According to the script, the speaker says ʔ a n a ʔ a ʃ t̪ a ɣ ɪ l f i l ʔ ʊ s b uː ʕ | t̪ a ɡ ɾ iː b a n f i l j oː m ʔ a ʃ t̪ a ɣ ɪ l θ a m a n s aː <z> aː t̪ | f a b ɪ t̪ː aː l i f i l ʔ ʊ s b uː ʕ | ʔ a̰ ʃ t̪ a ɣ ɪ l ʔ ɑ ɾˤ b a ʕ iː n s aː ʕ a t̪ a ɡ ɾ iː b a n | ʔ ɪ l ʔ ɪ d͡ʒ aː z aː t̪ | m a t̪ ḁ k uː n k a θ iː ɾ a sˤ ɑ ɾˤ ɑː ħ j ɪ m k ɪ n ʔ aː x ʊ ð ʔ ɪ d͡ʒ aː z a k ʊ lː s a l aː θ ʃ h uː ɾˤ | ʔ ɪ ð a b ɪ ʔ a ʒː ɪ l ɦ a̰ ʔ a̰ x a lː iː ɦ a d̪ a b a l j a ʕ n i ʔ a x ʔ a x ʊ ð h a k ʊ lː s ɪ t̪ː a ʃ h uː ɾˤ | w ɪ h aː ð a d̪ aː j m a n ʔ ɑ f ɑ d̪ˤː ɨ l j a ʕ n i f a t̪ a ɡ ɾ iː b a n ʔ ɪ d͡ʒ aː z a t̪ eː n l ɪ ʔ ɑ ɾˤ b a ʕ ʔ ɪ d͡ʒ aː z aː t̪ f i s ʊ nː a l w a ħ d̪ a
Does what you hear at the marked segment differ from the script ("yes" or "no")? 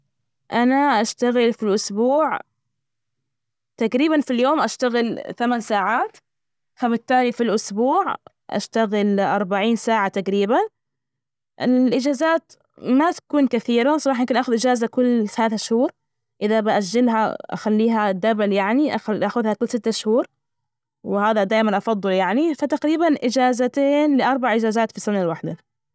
yes